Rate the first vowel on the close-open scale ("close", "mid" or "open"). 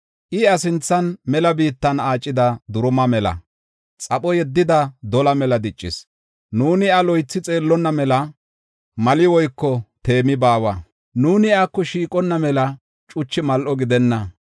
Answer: close